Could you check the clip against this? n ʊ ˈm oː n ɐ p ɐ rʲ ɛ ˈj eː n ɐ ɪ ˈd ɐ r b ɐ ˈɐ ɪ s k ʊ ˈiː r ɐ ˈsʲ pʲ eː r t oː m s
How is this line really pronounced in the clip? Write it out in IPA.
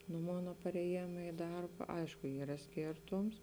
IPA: n ʊ ˈm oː n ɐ p ɐ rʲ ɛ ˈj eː m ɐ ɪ ˈd ɐ r b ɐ ˈɐ ɪ ʃ k ʊ ˈiː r ɐ ˈsʲ kʲ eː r t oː m s

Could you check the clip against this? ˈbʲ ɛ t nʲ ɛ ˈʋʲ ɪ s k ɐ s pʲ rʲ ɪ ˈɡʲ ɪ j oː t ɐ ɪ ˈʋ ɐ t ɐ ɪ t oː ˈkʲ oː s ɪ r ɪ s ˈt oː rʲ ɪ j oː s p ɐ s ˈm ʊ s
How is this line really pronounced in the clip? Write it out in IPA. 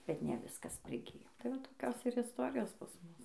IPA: ˈbʲ ɛ t nʲ ɛ ˈʋʲ ɪ s k ɐ s pʲ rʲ ɪ ˈɡʲ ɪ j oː t ɐ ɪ ˈʋ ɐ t ɐ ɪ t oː ˈkʲ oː s ɪ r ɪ s ˈt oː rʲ ɪ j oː s p ɐ s ˈm ʊ s

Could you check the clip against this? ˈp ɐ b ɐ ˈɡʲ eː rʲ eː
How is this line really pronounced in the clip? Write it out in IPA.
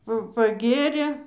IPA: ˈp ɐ p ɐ ˈɡʲ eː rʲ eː

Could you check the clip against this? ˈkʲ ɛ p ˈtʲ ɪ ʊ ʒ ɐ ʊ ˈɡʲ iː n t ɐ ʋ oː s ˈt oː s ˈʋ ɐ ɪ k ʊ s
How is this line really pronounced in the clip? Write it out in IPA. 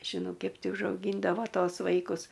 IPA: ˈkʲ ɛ p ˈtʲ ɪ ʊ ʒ ɐ ʊ ˈɡʲ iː n d ɐ ʋ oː ˈt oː s ˈʋ ɐ ɪ k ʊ s

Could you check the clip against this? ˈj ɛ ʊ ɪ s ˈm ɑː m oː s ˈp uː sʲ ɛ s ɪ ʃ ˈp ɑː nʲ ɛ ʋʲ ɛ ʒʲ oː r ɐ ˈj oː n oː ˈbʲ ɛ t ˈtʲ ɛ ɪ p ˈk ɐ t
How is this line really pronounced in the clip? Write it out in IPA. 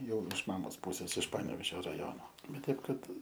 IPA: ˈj ɛ ʊ ɪ ʃ ˈm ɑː m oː s ˈp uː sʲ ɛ s ɪ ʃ ˈp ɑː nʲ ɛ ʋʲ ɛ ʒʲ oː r ɐ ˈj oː n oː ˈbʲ ɛ t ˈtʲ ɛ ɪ p ˈk ɐ t

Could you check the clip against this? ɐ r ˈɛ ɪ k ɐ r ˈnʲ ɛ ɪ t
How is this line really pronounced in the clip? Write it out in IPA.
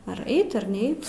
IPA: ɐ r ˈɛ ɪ t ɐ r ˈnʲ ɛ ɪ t

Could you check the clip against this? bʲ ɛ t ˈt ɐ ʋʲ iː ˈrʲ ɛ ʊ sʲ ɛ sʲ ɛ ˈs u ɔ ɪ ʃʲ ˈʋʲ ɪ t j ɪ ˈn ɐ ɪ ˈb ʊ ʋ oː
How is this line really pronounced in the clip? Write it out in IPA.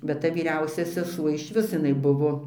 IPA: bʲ ɛ t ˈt ɐ ʋʲ iː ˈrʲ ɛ ʊ sʲ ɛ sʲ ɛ ˈs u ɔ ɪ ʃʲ ˈʋʲ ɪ s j ɪ ˈn ɐ ɪ ˈb ʊ ʋ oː

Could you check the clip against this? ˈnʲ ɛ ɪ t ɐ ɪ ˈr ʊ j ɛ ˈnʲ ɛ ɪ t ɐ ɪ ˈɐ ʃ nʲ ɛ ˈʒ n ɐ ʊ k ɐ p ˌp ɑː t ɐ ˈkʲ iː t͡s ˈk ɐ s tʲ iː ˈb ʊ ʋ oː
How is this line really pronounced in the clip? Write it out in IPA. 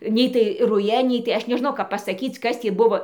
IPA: ˈnʲ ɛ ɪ t ɐ ɪ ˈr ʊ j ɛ ˈnʲ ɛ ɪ t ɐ ɪ ˈɐ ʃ nʲ ɛ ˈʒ n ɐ ʊ k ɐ p ˌp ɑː s ɐ ˈkʲ iː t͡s ˈk ɐ s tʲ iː ˈb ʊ ʋ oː

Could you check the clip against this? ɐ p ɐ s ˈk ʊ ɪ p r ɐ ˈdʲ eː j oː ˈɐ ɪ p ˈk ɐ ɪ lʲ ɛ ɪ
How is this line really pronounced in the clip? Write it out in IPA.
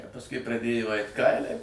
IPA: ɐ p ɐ s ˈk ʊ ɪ p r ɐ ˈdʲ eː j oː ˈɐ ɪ t ˈk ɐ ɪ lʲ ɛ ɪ

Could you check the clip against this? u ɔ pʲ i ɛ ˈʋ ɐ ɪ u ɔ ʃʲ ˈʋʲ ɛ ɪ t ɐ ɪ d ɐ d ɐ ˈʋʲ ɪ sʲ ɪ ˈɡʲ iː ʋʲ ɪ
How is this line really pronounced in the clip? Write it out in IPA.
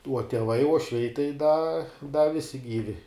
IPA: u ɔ tʲ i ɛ ˈʋ ɐ ɪ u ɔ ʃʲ ˈʋʲ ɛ ɪ t ɐ ɪ d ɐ d ɐ ˈʋʲ ɪ sʲ ɪ ˈɡʲ iː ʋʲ ɪ

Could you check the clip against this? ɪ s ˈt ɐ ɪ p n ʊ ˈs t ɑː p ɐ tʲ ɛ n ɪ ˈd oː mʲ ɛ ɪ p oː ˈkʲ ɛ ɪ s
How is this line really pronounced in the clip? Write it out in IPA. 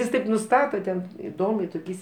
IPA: ɪ s ˈt ɐ ɪ p n ʊ ˈs t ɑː t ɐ tʲ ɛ n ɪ ˈd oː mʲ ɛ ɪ t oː ˈkʲ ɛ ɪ s

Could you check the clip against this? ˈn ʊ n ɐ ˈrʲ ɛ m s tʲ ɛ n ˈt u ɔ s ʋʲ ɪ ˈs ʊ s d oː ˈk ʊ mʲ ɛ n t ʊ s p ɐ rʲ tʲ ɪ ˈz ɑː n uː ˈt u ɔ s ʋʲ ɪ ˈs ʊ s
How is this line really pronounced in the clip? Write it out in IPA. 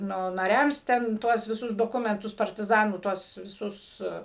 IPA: ˈn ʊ n ɐ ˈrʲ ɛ m s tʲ ɛ n ˈt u ɔ s ʋʲ ɪ ˈs ʊ s d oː ˈk ʊ mʲ ɛ n t ʊ s p ɐ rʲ tʲ ɪ ˈz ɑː n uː ˈt u ɔ s ʋʲ ɪ ˈs ʊ s

